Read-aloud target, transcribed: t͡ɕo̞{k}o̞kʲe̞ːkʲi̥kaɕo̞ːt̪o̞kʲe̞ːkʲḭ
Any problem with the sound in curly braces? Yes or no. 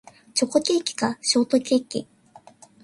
no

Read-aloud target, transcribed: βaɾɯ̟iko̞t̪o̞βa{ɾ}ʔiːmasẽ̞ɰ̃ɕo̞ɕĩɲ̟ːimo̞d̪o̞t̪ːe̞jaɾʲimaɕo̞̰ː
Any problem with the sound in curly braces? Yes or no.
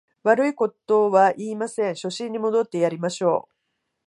yes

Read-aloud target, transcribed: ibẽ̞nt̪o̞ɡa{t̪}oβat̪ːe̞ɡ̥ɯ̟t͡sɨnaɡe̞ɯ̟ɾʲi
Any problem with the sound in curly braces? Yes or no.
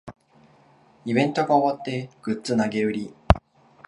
yes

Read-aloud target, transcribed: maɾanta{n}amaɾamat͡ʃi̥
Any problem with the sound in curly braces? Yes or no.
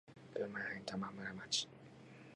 yes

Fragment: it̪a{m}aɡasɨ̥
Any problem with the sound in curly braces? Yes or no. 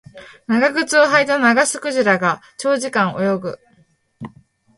yes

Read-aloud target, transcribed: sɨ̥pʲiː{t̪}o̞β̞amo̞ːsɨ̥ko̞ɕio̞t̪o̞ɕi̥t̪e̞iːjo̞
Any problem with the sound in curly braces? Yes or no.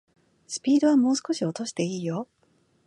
yes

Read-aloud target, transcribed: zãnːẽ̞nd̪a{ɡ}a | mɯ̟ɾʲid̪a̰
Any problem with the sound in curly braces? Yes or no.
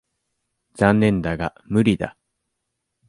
no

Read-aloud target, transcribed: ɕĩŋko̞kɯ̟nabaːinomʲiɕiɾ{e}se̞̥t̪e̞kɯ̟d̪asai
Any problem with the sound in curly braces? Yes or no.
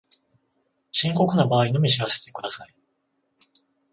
yes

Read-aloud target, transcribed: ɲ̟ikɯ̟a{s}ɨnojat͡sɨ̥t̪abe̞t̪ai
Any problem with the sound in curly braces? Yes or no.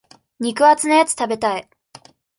yes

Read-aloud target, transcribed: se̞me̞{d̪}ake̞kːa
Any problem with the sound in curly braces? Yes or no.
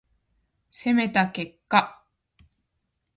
yes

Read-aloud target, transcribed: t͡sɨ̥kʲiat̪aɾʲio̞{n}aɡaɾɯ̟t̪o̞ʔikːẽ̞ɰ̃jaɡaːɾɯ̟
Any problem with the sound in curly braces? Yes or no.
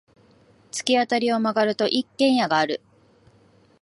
yes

